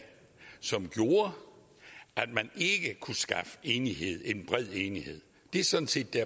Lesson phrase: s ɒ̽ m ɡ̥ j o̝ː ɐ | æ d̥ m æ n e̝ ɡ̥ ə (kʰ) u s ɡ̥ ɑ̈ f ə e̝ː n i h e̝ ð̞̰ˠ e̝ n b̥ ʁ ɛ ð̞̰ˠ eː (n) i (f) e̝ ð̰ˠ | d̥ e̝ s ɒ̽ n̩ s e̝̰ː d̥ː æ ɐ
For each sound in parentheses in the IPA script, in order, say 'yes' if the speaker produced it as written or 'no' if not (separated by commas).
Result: yes, yes, no